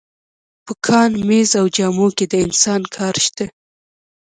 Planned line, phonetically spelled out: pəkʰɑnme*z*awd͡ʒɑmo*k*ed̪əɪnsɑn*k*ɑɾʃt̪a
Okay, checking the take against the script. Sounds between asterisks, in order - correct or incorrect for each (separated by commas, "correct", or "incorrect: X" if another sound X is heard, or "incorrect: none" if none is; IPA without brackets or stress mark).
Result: correct, correct, incorrect: kʰ